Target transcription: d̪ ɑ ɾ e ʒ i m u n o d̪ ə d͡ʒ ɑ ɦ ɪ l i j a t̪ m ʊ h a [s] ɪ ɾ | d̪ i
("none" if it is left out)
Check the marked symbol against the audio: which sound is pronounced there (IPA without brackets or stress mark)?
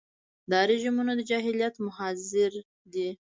z